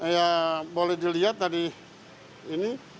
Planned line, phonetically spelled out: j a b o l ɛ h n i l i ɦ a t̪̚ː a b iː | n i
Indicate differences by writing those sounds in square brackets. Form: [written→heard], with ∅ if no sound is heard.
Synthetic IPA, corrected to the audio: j a b o l ɛ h [n→d] i l i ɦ a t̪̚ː a [b→d] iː | n i